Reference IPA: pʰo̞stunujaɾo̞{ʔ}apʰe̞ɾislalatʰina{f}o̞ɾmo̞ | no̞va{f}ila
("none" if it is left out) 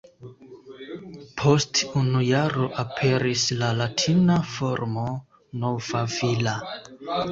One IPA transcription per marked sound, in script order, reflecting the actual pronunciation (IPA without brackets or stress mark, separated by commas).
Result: ʔ, f, v